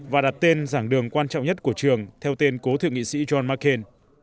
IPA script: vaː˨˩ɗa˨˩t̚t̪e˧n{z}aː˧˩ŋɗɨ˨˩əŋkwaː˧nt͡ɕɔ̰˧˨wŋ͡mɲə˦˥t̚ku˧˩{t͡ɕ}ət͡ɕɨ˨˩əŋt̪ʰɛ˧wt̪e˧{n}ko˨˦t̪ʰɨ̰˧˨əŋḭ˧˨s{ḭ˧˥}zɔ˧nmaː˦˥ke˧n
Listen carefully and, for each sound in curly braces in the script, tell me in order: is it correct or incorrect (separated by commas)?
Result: correct, incorrect, correct, correct